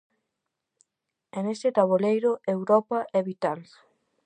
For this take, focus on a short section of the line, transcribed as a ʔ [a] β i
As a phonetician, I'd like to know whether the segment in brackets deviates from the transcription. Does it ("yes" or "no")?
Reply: yes